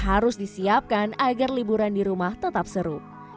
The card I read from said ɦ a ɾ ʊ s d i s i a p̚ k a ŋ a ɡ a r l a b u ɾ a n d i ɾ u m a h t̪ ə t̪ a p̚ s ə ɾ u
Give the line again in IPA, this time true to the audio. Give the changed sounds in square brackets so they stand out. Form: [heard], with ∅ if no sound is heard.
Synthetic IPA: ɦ a ɾ ʊ s d i s i a p̚ k a [n] a ɡ a r l [i] b u ɾ a n d i ɾ u m a h t̪ ə t̪ a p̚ s ə ɾ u